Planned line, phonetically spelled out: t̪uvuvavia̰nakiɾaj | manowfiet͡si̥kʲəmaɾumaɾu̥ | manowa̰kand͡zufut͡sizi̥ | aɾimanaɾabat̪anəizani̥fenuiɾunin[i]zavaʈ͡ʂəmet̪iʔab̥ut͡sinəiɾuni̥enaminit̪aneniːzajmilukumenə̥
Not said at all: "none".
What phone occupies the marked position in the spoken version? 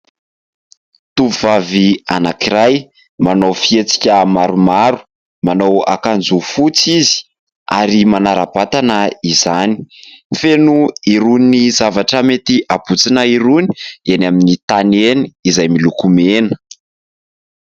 i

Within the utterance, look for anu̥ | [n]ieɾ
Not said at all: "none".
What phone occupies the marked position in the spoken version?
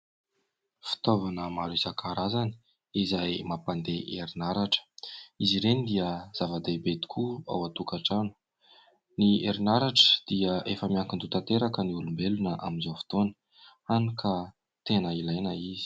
n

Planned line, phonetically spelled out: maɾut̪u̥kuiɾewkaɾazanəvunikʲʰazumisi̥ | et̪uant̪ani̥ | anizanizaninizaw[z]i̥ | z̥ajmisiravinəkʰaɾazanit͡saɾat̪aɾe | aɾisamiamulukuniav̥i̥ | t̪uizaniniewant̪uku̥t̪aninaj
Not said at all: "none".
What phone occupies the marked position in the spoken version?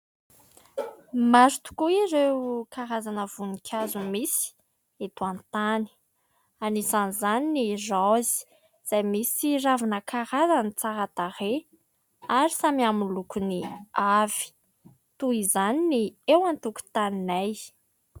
z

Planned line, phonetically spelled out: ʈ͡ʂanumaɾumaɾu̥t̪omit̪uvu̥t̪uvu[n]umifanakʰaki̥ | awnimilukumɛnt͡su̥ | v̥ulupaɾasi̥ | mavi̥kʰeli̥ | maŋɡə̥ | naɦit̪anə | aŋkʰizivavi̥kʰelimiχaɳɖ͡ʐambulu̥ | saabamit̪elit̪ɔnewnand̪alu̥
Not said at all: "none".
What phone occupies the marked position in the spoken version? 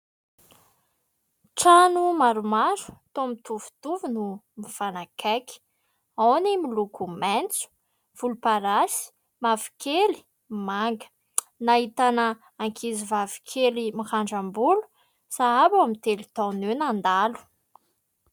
n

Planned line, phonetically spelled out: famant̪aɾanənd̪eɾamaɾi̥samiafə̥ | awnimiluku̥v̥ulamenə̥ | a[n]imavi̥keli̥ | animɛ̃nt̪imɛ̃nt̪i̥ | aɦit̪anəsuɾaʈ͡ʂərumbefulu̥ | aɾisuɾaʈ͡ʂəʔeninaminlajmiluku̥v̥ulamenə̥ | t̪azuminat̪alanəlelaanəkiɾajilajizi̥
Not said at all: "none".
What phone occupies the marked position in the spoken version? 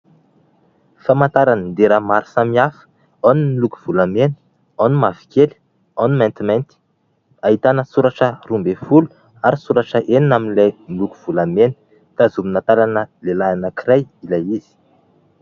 n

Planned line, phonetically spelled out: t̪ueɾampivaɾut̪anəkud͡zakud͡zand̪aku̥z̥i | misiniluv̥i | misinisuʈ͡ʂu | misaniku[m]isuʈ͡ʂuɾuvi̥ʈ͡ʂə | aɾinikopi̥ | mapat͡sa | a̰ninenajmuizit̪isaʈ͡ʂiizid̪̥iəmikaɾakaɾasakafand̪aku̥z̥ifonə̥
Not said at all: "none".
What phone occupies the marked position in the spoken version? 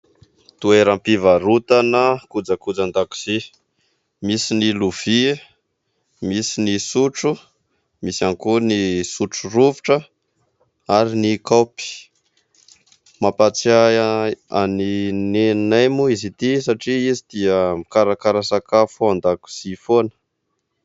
n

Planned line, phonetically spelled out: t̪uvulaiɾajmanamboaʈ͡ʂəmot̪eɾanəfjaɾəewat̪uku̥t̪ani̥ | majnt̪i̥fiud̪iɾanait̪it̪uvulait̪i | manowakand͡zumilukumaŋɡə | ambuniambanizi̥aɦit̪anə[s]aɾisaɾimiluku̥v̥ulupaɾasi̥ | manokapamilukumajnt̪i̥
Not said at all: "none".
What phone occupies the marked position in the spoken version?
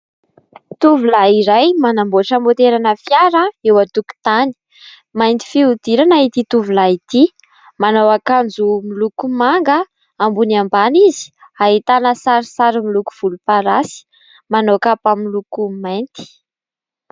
s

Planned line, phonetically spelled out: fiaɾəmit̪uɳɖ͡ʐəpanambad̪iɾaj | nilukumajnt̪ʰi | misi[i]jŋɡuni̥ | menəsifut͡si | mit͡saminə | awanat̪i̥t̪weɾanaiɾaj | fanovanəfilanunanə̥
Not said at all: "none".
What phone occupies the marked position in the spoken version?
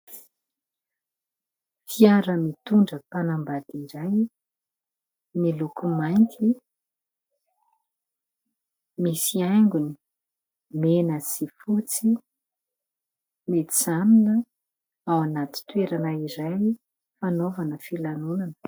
a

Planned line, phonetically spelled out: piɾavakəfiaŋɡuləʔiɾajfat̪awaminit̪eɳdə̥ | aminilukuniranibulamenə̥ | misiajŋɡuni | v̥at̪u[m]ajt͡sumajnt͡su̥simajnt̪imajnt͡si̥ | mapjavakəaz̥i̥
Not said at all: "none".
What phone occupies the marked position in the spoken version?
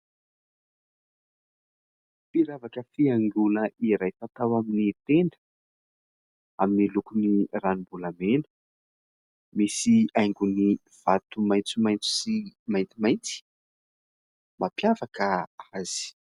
m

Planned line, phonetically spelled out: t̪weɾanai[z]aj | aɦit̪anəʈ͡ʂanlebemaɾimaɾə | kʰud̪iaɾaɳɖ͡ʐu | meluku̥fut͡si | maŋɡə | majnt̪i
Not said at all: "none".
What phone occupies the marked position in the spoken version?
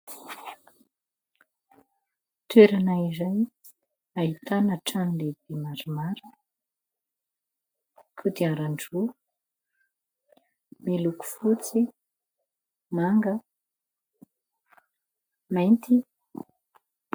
z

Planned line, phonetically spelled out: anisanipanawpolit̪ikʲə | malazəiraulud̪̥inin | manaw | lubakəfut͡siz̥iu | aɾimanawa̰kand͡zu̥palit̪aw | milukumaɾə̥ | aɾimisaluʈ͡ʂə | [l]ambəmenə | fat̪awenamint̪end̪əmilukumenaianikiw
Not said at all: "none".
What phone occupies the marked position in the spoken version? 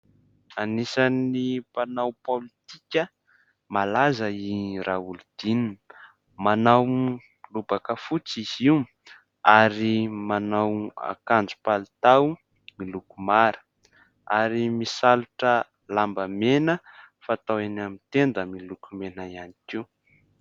l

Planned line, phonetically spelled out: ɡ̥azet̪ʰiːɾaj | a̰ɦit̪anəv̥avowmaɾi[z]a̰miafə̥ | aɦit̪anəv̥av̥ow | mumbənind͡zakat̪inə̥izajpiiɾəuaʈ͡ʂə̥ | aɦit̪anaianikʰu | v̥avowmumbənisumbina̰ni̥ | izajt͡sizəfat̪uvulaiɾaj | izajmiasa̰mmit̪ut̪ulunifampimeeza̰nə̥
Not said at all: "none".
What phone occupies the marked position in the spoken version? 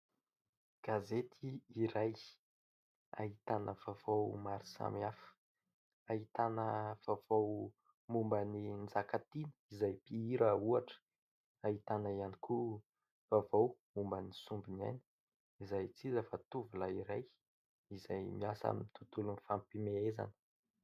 s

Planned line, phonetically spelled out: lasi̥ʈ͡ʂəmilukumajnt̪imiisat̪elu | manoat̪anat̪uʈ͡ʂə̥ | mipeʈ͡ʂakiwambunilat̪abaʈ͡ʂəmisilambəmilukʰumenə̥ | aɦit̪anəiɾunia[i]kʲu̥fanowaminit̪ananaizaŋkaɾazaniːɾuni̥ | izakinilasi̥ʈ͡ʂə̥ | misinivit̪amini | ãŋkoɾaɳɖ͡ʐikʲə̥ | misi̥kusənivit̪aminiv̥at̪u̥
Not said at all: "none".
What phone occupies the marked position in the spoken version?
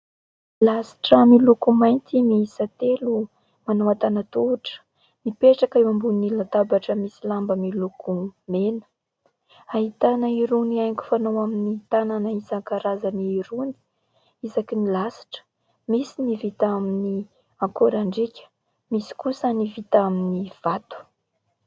j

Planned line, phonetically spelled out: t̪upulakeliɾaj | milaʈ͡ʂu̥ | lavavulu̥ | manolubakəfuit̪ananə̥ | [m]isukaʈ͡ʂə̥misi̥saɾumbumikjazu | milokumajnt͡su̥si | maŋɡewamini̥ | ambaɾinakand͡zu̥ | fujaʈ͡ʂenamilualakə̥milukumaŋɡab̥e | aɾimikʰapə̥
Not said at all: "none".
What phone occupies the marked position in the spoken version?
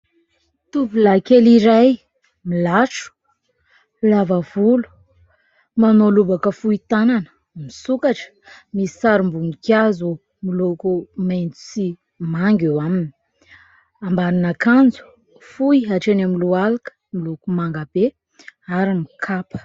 m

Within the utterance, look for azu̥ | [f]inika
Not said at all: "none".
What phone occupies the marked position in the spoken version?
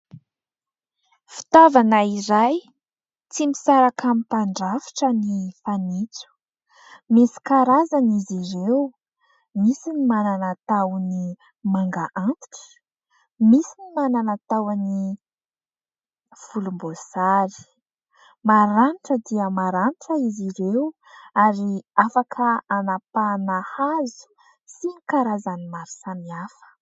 s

